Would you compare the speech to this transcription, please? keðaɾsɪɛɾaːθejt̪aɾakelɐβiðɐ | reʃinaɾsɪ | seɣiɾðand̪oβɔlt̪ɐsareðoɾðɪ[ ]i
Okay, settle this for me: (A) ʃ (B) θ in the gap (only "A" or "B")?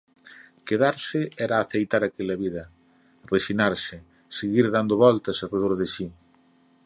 A